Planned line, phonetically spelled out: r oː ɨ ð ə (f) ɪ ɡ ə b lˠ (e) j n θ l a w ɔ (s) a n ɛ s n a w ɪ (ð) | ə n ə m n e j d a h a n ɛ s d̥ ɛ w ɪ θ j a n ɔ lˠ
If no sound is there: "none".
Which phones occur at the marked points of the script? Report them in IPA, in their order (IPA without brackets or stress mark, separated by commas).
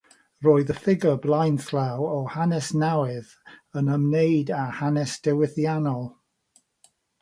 f, a, h, ð